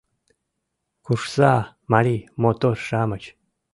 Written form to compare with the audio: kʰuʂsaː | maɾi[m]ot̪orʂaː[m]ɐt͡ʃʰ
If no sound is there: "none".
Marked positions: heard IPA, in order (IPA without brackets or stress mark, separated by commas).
m, m